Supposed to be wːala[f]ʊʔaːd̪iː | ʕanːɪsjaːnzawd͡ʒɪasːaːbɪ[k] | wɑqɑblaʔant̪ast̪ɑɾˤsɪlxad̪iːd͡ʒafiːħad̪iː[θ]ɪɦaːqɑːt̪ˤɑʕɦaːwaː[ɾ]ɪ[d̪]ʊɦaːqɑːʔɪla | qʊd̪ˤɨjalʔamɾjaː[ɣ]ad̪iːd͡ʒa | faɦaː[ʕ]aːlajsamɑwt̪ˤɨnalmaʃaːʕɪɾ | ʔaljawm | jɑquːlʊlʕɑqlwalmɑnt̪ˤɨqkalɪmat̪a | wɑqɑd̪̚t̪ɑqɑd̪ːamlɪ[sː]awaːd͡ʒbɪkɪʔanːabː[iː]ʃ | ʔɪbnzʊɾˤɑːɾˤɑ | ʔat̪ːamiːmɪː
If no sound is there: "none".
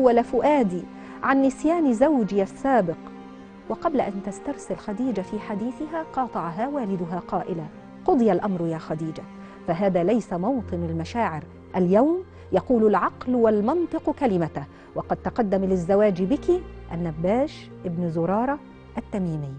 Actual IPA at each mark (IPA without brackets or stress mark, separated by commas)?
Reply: f, q, θ, l, d̪, x, ð, zː, aː